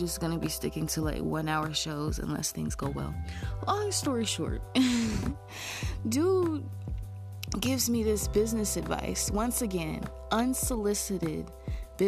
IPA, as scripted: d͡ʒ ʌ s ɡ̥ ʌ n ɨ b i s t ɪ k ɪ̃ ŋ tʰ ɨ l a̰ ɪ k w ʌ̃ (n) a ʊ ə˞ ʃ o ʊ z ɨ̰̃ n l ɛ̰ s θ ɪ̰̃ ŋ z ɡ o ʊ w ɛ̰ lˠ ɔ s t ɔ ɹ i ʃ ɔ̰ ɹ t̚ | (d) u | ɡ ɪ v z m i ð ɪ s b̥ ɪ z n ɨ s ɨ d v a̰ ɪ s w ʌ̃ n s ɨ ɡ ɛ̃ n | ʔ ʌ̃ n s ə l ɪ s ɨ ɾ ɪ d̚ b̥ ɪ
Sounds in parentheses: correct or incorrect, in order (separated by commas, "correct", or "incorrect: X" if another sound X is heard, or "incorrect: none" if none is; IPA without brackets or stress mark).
correct, correct